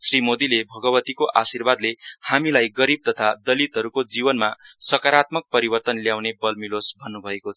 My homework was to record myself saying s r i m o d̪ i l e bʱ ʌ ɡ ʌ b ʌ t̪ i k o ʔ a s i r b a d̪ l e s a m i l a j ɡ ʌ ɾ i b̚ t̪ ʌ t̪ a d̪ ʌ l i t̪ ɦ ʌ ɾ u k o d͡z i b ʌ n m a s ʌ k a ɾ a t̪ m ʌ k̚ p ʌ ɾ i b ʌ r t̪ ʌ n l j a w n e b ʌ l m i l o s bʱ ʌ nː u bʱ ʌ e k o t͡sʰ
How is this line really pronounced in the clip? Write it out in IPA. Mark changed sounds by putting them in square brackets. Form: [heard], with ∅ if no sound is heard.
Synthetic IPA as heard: s r i m o d̪ i l e bʱ ʌ ɡ ʌ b ʌ t̪ i k o ʔ a s i r b a d̪ l e [h] a m i l a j ɡ ʌ ɾ i b̚ t̪ ʌ [t̪ʰ] a d̪ ʌ l i t̪ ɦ ʌ ɾ u k o d͡z i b ʌ n m a s ʌ k a ɾ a t̪ m ʌ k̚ p ʌ ɾ i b ʌ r t̪ ʌ n l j a w n e b ʌ l m i l o s bʱ ʌ nː u bʱ ʌ e k o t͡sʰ